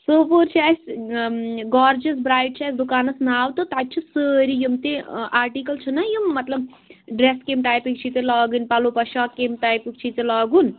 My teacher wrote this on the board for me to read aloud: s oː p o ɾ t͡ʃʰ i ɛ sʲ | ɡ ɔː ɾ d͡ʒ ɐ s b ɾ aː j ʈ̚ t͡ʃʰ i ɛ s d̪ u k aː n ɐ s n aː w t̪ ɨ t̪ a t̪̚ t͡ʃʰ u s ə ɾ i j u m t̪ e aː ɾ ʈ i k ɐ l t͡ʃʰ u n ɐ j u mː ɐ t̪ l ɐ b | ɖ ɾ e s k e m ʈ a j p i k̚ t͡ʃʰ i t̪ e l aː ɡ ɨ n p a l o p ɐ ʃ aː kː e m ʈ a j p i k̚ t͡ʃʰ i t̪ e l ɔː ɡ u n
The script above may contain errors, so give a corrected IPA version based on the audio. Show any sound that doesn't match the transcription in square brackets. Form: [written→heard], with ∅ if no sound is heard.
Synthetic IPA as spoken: s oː p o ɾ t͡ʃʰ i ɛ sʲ | ɡ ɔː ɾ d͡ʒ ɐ s b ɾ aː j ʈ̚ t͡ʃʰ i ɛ s d̪ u k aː n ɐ s n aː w t̪ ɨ t̪ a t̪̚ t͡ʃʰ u s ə ɾ i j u m t̪ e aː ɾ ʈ i k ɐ l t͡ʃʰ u n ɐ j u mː ɐ t̪ l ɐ b | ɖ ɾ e s k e m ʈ a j p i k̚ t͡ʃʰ i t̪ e l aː ɡ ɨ n p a l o p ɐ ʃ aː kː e m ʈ a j p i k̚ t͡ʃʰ i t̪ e l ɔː ɡ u n